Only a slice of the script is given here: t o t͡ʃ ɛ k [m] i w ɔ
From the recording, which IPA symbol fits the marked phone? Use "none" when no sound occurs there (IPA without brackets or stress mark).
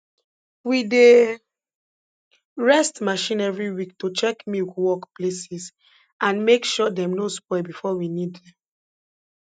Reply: m